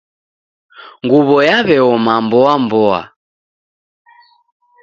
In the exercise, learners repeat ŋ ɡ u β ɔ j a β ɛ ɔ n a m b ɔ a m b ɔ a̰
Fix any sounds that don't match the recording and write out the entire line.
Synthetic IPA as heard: ŋ ɡ u β ɔ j a β ɛ ɔ m a m b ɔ a m b ɔ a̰